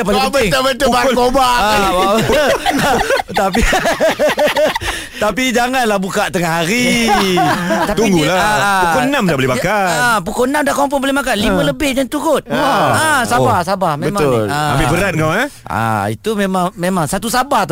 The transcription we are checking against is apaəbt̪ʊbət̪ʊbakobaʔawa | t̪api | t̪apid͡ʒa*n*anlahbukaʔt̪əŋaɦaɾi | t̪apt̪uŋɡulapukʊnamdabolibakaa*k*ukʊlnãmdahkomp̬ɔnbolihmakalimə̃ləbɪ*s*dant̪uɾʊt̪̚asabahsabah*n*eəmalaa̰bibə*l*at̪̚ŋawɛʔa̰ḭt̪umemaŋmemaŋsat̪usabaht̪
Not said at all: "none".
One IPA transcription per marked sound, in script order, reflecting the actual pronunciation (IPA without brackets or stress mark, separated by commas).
ŋ, p, h, m, ɾ